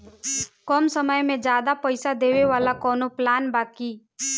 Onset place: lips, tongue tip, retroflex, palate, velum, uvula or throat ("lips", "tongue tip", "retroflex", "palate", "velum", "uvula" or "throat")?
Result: velum